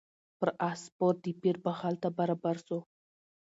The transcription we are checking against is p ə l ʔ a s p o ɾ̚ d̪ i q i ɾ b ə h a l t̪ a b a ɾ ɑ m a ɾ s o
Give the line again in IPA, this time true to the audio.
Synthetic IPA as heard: p ə ɾ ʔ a s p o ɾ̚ d̪ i p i ɾ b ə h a l t̪ a b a ɾ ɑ b a ɾ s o